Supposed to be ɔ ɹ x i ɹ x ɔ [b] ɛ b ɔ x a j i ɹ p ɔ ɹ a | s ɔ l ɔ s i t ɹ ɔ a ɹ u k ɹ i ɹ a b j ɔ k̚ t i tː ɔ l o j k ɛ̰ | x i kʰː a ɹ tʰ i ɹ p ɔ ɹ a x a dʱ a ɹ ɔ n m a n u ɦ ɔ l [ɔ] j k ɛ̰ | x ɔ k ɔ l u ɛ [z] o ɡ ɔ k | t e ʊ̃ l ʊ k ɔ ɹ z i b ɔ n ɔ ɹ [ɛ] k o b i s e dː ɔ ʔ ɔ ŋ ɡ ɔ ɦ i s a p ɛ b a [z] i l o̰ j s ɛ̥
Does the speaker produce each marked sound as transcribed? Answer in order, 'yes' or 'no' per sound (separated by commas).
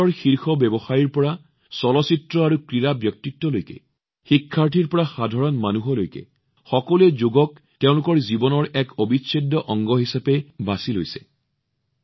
yes, no, yes, yes, no